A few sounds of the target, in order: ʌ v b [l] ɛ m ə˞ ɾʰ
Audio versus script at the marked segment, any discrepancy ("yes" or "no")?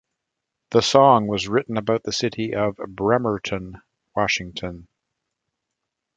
yes